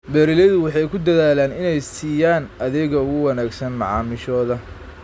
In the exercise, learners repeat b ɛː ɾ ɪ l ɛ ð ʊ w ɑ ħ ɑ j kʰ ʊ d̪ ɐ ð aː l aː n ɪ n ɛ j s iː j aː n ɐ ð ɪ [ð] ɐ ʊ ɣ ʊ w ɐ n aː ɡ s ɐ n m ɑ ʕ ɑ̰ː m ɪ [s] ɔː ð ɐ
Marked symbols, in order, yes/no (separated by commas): no, no